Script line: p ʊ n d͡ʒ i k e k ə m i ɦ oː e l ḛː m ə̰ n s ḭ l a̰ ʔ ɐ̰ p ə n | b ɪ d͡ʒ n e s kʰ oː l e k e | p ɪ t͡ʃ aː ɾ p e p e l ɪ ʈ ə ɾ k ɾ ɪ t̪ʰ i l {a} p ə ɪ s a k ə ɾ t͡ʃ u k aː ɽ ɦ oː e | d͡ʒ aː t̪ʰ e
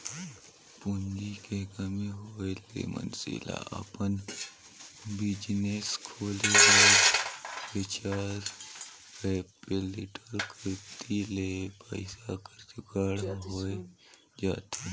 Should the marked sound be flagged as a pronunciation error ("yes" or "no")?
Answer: yes